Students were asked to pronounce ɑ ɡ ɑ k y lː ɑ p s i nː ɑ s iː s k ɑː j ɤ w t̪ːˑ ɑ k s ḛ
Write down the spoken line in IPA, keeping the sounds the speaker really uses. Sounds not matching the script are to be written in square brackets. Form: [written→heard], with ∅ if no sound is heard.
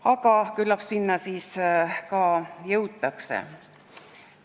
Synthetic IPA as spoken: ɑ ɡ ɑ k y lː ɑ p s i nː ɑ s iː s k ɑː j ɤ w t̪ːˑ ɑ k s ḛ